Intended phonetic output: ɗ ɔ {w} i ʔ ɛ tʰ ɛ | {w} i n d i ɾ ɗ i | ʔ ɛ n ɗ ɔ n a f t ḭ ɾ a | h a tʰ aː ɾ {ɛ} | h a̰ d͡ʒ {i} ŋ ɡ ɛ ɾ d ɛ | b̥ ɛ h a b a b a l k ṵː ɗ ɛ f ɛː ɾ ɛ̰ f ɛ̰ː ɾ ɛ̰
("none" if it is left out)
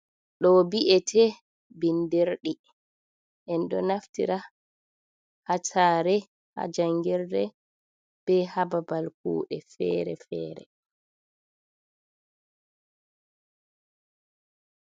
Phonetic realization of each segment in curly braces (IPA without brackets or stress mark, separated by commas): b, b, ɛ, a